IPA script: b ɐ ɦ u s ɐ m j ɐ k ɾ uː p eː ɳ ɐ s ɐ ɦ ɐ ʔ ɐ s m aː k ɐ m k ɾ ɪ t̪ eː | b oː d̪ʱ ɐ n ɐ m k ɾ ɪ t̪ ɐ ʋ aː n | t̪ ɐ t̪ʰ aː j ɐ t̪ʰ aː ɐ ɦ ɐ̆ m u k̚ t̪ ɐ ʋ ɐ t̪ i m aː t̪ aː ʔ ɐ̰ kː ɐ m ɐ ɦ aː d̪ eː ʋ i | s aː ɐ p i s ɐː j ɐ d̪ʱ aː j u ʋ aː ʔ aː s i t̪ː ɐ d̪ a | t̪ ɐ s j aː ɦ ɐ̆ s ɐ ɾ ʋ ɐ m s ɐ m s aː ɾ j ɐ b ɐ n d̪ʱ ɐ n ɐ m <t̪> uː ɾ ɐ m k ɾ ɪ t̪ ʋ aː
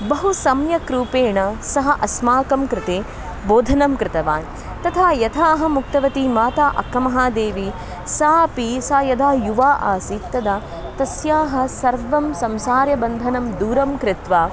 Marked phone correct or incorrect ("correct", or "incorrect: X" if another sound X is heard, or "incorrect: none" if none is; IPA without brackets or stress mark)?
incorrect: d̪